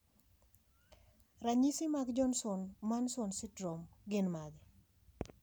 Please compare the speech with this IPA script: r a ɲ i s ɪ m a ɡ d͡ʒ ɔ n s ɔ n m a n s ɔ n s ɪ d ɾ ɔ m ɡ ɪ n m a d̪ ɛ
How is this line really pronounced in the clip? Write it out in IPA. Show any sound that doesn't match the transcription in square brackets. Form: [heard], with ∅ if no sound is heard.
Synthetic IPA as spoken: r a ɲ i s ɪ m a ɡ d͡ʒ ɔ n s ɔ n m a n s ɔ n s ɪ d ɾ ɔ m ɡ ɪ n m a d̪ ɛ